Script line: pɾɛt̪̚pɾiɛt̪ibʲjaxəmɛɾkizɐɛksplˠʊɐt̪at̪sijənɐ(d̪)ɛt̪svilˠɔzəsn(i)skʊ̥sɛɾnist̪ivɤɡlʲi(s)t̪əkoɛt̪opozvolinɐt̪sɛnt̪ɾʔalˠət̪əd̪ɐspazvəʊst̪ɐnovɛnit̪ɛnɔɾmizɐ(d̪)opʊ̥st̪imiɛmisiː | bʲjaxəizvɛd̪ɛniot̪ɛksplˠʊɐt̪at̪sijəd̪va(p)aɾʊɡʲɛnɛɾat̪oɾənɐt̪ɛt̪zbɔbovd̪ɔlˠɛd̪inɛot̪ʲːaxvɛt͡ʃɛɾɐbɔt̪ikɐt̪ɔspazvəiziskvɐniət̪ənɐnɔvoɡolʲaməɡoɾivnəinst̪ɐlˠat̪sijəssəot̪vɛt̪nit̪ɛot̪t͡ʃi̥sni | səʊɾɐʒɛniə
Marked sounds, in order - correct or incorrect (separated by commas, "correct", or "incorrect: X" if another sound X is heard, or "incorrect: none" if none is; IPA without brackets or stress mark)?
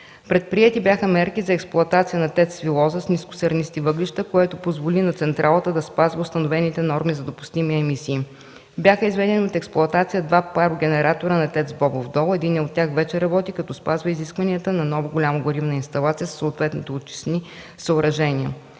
incorrect: t̪, correct, incorrect: ʃ, correct, correct